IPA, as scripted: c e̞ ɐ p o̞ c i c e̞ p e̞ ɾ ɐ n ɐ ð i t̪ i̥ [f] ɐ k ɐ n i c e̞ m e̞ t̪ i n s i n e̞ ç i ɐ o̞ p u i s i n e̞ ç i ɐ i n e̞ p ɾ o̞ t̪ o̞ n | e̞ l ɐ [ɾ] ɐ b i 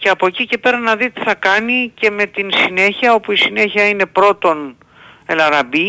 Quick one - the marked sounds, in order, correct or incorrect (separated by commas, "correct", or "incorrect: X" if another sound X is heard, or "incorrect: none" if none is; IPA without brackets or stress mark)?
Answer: incorrect: θ, correct